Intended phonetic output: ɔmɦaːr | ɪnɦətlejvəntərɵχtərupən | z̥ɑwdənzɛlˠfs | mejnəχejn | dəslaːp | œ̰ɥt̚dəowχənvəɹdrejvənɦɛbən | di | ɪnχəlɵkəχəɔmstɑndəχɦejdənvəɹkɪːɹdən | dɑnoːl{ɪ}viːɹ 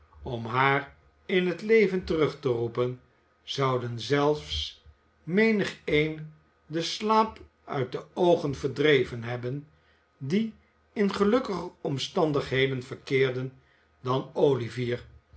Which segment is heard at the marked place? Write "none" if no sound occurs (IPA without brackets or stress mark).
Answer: i